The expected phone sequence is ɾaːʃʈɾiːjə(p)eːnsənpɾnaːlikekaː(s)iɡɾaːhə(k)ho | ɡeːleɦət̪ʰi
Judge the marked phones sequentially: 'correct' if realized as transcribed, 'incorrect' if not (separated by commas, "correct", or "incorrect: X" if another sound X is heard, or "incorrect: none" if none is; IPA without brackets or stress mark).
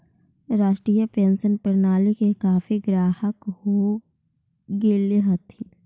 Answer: correct, incorrect: f, correct